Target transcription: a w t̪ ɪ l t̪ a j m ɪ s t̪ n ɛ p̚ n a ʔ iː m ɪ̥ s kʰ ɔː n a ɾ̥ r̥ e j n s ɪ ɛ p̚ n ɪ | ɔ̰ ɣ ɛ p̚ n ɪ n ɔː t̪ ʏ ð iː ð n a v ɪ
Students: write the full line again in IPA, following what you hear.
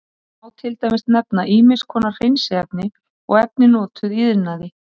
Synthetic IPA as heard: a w t̪ʰ ɪ l t̪ a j m ɪ s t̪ n ɛ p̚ n a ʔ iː m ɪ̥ s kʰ ɔː n a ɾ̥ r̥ e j n s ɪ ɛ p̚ n ɪ | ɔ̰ ɣ ɛ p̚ n ɪ n ɔː t̪ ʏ ð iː ð n a ð ɪ